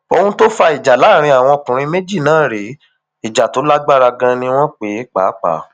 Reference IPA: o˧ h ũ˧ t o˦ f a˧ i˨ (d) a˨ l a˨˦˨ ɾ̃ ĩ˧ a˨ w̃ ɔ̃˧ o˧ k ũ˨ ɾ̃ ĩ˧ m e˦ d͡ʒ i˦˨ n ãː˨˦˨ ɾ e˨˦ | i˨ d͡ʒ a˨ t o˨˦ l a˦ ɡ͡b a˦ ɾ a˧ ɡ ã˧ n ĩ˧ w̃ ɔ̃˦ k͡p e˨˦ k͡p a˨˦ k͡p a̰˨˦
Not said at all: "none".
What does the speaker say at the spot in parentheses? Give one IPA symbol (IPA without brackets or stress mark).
d͡ʒ